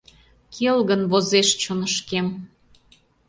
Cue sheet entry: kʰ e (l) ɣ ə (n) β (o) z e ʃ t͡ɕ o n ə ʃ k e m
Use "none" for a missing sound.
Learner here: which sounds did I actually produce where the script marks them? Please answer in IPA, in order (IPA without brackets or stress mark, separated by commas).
l, n, o